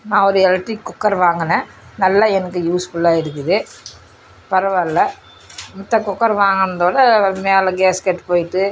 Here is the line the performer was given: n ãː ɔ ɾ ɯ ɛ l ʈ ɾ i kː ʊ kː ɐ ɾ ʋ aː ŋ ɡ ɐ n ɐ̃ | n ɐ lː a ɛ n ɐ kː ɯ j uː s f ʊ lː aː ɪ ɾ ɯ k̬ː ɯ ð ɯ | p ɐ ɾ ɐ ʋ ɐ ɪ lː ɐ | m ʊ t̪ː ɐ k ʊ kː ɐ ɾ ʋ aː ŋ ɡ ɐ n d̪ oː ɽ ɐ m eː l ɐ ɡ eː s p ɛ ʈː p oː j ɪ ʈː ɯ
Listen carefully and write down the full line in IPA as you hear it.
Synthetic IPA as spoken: n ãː ɔ ɾ ɯ ɛ l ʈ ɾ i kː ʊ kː ɐ ɾ ʋ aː ŋ ɡ ɐ n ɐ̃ | n ɐ lː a ɛ n ɐ kː ɯ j uː s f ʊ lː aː ɪ ɾ ɯ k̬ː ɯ ð ɯ | p ɐ ɾ ɐ ʋ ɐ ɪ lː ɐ | m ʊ t̪ː ɐ k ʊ kː ɐ ɾ ʋ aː ŋ ɡ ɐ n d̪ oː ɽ ɐ m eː l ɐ ɡ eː s k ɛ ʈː p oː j ɪ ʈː ɯ